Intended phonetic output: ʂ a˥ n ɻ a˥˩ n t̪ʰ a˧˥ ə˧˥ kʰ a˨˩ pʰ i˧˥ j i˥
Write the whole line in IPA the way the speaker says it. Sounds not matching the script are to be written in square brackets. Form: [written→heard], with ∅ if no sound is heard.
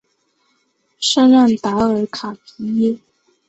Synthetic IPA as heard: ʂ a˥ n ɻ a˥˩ n [t̪ʰ→t̪] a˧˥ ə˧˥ kʰ a˨˩ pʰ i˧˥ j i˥

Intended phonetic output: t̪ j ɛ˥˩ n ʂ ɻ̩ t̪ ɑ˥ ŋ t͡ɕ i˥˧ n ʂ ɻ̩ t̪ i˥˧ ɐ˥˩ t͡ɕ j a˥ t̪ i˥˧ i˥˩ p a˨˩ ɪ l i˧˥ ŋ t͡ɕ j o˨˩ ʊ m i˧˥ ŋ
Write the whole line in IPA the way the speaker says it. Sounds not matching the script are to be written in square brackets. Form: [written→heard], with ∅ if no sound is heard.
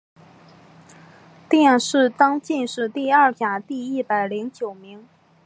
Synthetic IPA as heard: t̪ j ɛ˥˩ n ʂ ɻ̩ t̪ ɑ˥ ŋ t͡ɕ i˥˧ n ʂ ɻ̩ t̪ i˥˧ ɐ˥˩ t͡ɕ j [a˥→a˨˩] t̪ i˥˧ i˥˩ p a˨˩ ɪ l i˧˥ ŋ t͡ɕ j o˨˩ ʊ m i˧˥ ŋ

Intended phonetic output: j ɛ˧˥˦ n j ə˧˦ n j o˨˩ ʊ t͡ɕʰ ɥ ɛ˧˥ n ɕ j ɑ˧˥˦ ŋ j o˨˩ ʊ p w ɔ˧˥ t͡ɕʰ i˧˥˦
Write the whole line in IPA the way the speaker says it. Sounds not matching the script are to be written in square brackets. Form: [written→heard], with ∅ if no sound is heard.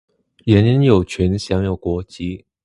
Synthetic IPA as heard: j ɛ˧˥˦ n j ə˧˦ n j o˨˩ ʊ t͡ɕʰ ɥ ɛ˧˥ n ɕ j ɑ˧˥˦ ŋ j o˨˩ ʊ [p→k] w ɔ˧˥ [t͡ɕʰ→t͡ɕ] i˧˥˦

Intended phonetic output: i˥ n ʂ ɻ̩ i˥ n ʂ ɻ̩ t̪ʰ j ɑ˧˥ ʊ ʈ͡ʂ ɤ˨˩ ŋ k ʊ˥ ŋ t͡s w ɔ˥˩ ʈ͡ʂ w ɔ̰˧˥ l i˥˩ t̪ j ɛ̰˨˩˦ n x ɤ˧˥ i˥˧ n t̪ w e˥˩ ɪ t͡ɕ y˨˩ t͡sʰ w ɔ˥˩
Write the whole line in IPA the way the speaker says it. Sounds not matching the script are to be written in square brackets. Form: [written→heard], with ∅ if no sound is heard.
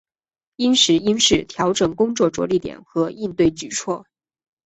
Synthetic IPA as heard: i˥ n ʂ ɻ̩ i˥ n ʂ ɻ̩ t̪ʰ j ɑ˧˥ ʊ ʈ͡ʂ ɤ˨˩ ŋ k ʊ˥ ŋ t͡s w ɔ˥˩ ʈ͡ʂ w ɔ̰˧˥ l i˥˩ t̪ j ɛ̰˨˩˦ n x ɤ˧˥ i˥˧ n t̪ w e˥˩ ɪ t͡ɕ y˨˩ t͡sʰ w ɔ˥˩

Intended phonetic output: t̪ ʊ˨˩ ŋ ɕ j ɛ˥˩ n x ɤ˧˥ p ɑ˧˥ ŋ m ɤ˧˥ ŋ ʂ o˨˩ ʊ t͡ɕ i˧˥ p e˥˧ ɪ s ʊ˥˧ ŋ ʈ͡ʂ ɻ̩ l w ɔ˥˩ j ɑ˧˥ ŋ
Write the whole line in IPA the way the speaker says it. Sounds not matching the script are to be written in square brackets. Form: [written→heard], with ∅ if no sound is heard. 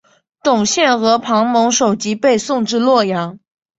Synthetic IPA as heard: t̪ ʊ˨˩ ŋ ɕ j ɛ˥˩ n x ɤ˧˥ [p→pʰ] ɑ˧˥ ŋ m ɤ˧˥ ŋ ʂ o˨˩ ʊ t͡ɕ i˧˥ p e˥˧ ɪ s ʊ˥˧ ŋ ʈ͡ʂ ɻ̩ l w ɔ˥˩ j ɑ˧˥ ŋ

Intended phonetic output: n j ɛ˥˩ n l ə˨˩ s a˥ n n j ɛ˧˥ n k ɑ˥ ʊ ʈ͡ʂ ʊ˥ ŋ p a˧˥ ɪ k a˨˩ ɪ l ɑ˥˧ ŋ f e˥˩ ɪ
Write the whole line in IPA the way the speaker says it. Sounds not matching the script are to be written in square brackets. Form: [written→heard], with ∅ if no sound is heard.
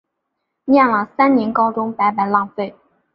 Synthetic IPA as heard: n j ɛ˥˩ n l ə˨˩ s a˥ n n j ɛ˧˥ n k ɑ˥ ʊ ʈ͡ʂ ʊ˥ ŋ p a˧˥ ɪ [k→p] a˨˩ ɪ l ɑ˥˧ ŋ f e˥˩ ɪ

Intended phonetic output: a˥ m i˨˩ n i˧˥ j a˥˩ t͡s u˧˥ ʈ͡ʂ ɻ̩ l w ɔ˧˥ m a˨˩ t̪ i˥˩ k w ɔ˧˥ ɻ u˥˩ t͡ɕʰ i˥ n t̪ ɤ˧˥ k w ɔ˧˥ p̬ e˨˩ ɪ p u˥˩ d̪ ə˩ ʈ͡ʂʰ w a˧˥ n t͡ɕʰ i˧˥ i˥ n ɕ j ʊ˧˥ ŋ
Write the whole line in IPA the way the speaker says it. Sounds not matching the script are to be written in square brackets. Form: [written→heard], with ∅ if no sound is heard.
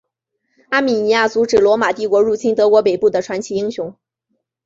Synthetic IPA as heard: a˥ m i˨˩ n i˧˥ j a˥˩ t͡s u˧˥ ʈ͡ʂ ɻ̩ l w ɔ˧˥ m a˨˩ t̪ i˥˩ k w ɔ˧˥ ɻ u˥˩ t͡ɕʰ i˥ n t̪ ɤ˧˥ k w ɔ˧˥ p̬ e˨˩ ɪ p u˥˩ d̪ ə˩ ʈ͡ʂʰ w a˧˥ n t͡ɕʰ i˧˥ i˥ [n→ŋ] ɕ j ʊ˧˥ ŋ

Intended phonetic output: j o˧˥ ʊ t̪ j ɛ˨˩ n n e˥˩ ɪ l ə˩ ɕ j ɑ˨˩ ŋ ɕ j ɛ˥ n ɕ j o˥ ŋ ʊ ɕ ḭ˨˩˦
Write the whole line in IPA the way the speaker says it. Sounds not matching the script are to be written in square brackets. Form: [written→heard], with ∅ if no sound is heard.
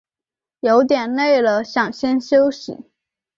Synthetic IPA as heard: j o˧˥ ʊ t̪ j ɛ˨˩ n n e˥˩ ɪ l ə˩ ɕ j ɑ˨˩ ŋ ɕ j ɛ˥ n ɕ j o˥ [ŋ→∅] ʊ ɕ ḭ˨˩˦

